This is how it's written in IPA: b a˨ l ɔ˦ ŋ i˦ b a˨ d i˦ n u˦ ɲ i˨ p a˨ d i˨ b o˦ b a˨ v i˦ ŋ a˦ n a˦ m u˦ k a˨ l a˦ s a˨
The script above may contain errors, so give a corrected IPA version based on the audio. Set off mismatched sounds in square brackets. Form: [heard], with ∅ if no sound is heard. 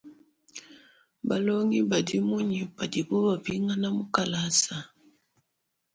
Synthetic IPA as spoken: b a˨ l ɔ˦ ŋ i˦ b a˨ d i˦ [m] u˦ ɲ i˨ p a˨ d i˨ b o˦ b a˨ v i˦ ŋ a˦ n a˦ m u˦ k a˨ l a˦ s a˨